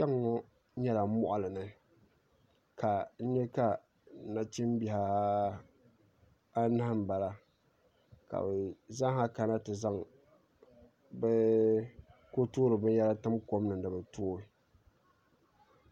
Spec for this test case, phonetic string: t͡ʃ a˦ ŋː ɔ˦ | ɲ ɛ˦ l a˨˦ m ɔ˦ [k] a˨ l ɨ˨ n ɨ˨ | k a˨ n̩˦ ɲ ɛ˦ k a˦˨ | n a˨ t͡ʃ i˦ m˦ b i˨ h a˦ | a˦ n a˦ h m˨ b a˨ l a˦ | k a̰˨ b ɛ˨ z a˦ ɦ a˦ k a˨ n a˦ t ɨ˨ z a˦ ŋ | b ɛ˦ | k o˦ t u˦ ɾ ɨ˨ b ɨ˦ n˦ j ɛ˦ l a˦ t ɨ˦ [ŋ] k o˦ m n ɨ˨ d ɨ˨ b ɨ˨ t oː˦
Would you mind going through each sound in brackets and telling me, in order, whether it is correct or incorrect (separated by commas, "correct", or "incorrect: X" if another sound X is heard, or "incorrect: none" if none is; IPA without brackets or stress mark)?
incorrect: ʔ, incorrect: m